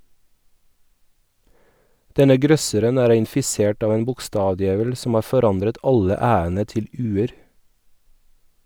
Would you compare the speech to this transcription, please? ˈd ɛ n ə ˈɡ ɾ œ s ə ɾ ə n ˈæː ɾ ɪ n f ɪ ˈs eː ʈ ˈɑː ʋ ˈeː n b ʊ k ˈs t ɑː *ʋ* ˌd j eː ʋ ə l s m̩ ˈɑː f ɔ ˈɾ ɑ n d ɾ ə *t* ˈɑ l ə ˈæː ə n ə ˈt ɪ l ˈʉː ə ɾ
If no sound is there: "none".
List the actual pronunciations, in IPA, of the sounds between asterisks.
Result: ʋ, t

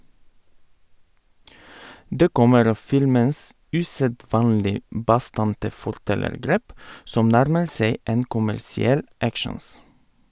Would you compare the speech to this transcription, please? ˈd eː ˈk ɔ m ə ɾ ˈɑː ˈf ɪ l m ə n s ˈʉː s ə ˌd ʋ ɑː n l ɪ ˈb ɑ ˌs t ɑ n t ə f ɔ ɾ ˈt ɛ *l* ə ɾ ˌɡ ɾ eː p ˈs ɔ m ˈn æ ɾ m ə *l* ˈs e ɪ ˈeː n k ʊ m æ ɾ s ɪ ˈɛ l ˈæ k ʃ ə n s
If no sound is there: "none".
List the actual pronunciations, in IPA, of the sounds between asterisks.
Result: l, none

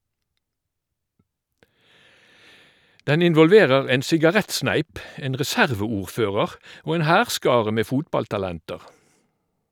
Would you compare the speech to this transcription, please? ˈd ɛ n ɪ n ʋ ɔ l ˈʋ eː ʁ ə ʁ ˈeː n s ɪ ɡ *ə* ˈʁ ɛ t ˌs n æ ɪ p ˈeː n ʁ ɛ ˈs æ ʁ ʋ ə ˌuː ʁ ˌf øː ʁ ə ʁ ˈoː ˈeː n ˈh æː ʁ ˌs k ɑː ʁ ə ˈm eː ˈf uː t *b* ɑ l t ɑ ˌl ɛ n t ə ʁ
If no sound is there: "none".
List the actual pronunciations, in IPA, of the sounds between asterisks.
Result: ɑ, b

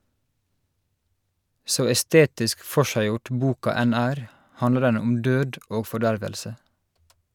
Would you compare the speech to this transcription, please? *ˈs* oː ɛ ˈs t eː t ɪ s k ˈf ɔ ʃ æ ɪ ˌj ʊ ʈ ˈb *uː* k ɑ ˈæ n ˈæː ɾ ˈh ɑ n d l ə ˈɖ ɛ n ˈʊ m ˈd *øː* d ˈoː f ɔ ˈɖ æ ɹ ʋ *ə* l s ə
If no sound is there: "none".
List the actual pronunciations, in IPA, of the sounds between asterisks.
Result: s, uː, øː, ə

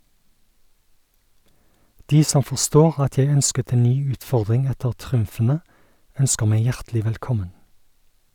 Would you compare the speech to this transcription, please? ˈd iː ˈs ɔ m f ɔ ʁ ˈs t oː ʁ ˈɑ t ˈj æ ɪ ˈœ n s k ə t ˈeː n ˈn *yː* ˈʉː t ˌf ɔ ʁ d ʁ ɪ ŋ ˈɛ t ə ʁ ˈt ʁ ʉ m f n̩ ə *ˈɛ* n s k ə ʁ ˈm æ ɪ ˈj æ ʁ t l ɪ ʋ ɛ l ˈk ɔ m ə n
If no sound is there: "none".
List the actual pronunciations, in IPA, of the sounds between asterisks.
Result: yː, œ

